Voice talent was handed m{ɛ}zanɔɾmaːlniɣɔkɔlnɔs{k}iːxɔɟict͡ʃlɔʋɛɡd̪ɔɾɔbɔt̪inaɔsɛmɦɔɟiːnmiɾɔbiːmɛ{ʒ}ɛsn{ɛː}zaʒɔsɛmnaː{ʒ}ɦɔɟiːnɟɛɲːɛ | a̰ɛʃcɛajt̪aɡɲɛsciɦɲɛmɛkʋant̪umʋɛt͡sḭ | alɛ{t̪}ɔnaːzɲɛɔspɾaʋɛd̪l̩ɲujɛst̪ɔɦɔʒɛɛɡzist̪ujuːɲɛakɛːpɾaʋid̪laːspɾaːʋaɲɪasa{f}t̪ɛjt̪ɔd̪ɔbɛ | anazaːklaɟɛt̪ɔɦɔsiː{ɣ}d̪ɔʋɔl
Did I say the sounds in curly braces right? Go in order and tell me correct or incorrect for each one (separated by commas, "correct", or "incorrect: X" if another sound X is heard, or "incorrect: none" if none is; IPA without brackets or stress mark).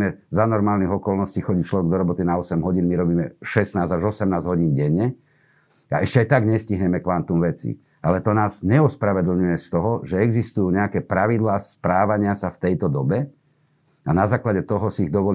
correct, incorrect: c, incorrect: ʃ, incorrect: aː, incorrect: z, correct, correct, correct